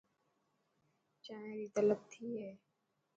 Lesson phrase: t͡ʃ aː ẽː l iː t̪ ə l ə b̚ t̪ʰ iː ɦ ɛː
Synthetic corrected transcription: t͡ʃ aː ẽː ɾ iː t̪ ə l ə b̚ t̪ʰ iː ɦ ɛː

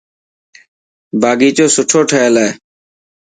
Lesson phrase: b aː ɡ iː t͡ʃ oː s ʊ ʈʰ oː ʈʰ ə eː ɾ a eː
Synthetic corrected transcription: b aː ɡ iː t͡ʃ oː s ʊ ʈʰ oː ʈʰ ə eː l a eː

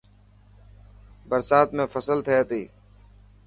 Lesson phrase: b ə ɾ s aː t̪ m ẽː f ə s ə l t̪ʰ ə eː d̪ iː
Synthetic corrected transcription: b ə ɾ s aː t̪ m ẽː f ə s ə l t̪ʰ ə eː t̪ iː

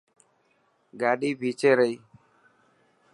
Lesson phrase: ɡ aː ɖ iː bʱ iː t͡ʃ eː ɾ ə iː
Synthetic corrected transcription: ɡ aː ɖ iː bʱ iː t͡ʃ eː ɾ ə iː

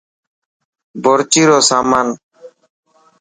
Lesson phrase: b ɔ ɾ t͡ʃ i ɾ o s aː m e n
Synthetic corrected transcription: b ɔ ɾ t͡ʃ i ɾ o s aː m a n

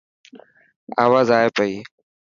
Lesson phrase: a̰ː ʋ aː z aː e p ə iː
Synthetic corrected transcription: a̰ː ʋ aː z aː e p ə iː

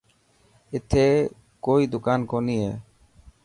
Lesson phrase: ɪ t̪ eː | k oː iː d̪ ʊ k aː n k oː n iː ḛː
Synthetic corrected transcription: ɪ t̪ʰ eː | k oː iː d̪ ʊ k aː n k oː n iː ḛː

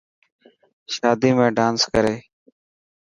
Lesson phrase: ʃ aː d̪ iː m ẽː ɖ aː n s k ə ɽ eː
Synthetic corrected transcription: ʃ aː d̪ iː m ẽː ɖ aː n s k ə ɾ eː

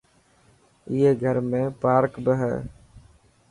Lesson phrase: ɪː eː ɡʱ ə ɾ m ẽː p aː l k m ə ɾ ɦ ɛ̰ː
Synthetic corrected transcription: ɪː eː ɡʱ ə ɾ m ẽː p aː ɾ k b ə ɦ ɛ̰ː

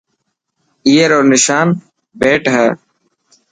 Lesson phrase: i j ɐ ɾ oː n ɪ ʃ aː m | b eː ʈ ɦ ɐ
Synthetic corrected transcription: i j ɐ ɾ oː n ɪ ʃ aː n | b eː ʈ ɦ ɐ

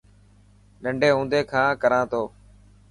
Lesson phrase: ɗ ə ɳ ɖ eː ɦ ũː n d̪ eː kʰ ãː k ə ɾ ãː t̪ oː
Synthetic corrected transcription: ɗ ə ɳ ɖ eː ɦ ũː n d̪ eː kʰ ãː k ə ɾ ãː t̪ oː

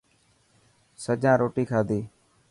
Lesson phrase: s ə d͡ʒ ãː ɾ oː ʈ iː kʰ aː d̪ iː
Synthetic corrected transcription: s ə d͡ʒ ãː ɾ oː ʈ iː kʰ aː d̪ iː

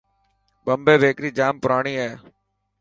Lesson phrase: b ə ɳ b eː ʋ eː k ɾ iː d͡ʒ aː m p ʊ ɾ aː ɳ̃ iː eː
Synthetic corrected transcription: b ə m b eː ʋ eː k ɾ iː d͡ʒ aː m p ʊ ɾ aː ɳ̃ iː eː

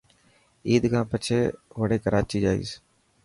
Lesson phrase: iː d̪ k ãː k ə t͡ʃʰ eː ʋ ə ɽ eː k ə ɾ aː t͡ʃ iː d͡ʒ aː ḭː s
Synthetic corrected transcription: iː d̪ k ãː p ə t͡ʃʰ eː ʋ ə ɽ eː k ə ɾ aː t͡ʃ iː d͡ʒ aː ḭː s

